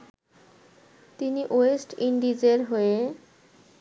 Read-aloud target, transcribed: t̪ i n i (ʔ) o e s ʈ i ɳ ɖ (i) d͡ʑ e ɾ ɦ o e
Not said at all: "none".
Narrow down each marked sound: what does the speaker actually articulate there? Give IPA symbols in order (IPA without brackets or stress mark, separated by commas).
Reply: ʔ, i